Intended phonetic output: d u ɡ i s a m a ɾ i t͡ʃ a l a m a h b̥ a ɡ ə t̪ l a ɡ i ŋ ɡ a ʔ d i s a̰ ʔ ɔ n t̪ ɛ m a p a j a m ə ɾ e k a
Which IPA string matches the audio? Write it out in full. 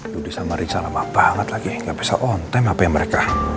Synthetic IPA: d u d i s a m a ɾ i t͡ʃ a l a m a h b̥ a ŋ ə t̪ l a ɡ i ŋ ɡ a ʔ b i s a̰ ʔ ɔ n t̪ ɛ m a p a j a m ə ɾ e k a